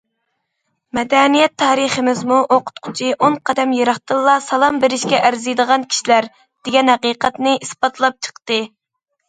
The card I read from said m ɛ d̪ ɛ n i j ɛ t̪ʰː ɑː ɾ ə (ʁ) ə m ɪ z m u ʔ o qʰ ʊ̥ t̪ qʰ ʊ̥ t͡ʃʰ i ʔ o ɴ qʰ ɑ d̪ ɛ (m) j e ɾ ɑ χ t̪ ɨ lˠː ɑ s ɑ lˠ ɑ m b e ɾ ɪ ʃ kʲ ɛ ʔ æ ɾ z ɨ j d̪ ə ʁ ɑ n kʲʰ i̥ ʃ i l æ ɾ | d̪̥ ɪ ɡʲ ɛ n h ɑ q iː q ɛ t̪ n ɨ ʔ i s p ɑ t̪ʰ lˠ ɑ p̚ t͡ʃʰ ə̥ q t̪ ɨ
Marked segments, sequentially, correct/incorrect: incorrect: χ, correct

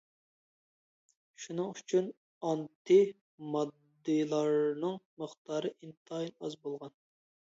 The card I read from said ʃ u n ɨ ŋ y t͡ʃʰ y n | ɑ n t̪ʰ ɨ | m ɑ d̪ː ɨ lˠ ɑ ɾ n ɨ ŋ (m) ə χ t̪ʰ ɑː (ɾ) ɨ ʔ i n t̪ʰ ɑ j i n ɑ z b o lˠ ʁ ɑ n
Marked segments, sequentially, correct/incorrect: correct, correct

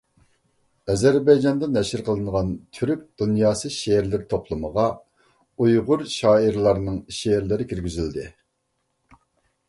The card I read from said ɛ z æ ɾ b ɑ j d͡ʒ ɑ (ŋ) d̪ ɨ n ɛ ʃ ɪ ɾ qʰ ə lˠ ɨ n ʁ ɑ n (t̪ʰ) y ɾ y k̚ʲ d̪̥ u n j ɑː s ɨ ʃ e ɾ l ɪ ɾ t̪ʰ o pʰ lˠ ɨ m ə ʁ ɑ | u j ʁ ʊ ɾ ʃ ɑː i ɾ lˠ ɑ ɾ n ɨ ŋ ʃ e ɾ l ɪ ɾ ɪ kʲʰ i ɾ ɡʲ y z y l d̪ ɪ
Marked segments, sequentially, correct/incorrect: incorrect: n, correct

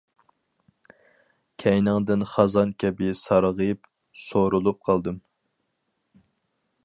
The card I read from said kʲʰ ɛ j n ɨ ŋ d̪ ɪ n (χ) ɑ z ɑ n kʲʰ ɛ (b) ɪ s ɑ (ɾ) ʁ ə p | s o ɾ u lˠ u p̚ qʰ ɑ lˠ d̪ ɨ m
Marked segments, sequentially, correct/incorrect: correct, correct, correct

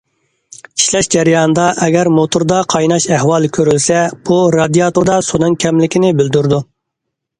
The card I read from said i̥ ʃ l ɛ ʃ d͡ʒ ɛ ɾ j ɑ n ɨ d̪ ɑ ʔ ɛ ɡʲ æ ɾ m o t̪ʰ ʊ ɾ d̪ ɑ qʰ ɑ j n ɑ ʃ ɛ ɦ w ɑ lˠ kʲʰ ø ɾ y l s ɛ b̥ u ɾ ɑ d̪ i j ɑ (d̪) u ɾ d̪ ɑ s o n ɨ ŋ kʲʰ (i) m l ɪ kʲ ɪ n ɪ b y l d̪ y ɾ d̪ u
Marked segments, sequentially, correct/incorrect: incorrect: t̪, incorrect: ɛ

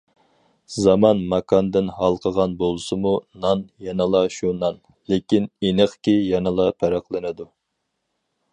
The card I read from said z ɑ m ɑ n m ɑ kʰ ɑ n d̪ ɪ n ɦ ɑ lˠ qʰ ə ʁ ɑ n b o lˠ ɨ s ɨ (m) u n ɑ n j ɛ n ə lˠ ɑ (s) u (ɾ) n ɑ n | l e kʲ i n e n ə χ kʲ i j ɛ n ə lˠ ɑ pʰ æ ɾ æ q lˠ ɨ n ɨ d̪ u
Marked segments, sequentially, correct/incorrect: correct, incorrect: ʃ, incorrect: none

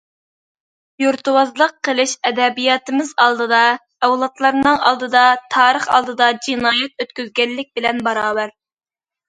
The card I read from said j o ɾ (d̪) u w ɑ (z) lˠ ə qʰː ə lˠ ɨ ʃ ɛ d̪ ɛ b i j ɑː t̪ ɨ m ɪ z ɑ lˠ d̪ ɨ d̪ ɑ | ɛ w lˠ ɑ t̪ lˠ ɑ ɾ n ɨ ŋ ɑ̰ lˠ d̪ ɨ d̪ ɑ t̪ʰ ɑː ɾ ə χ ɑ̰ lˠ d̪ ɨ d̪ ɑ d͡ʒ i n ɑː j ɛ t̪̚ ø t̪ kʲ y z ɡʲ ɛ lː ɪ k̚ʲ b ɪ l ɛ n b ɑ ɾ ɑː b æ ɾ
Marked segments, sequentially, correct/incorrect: incorrect: t̪, correct

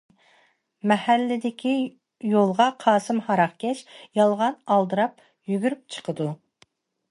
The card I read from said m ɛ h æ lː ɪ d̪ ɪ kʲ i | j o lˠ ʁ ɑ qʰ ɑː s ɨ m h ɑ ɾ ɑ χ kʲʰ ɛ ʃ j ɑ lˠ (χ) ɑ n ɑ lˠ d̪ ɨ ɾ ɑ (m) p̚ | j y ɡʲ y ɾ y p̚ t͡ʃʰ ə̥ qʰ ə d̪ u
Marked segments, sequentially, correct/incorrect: incorrect: ʁ, incorrect: none

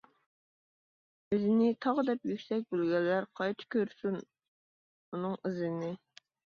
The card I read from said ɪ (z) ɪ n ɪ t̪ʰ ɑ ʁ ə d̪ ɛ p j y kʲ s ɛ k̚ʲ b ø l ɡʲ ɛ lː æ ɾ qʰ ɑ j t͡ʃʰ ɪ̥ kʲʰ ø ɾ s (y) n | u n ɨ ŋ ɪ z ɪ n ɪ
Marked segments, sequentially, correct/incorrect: correct, correct

